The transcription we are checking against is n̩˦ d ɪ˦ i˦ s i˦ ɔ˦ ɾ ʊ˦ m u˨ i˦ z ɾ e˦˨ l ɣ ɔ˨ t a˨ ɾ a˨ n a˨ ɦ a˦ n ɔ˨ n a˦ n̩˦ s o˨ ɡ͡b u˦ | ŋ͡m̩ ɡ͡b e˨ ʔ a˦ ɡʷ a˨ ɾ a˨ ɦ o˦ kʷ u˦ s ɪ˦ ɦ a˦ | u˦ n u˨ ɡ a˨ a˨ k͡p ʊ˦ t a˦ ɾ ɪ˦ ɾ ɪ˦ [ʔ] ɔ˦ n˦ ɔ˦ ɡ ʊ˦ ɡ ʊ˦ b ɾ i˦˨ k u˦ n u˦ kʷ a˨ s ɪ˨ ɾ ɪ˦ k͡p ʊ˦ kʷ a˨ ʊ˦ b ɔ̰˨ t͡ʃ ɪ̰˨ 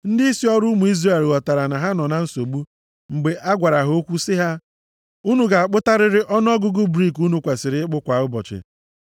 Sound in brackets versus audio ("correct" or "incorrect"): correct